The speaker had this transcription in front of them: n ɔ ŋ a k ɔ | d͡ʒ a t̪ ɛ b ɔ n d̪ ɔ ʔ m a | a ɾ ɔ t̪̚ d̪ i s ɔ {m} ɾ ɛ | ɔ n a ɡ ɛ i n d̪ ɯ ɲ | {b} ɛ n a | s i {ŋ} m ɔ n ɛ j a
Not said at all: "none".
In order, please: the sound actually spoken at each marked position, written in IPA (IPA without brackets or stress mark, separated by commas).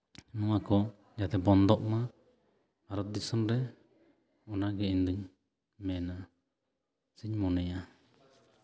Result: n, m, ɲ